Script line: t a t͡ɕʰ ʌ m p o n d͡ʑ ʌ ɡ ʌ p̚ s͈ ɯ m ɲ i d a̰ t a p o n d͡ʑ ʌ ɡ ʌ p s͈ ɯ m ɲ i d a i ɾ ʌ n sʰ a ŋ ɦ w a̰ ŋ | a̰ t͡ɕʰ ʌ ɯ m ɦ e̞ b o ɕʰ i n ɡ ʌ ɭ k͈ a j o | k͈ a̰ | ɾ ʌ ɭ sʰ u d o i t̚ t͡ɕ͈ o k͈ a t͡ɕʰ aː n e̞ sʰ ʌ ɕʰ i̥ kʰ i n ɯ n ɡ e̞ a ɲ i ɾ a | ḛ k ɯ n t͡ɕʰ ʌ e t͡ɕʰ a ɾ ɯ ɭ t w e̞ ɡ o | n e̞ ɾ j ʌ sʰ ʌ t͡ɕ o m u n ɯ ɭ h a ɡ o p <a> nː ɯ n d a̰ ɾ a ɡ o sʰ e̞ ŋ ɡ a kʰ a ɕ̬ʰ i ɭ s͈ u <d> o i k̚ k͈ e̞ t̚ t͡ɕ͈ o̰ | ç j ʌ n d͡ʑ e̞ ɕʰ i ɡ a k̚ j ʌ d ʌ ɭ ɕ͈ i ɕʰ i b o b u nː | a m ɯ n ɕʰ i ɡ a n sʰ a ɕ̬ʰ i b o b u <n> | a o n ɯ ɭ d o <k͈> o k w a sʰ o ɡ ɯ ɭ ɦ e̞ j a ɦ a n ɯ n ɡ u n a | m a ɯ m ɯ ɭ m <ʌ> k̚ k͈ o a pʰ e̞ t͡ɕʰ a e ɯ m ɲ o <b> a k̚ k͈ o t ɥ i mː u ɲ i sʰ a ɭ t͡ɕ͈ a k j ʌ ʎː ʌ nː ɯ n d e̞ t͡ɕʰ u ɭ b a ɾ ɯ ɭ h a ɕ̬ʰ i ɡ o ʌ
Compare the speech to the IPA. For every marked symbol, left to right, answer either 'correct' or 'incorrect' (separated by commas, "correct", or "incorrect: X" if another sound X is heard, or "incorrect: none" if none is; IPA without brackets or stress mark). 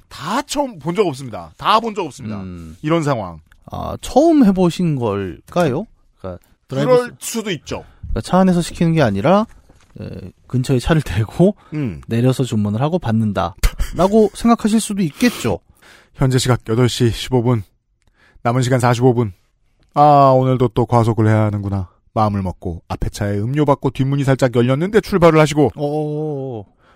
correct, correct, correct, incorrect: t͈, correct, correct